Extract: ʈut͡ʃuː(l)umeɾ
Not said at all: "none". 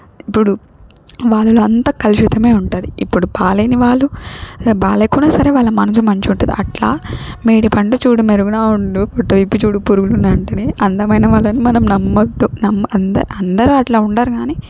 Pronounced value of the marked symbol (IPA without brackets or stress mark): ɽ